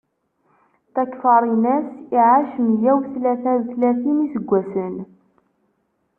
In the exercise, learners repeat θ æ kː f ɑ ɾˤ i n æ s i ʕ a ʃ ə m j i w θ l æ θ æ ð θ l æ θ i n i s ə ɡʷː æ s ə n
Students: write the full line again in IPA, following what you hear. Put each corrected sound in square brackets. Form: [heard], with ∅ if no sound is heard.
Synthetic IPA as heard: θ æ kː f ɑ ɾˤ i n æ s i ʕ a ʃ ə m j [æ] w θ l æ θ æ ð θ l æ θ i n i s ə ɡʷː æ s ə n